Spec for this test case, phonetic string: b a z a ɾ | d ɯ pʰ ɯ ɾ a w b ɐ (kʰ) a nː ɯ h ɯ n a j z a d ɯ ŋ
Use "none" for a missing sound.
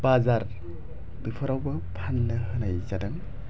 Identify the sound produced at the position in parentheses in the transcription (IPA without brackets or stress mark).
pʰ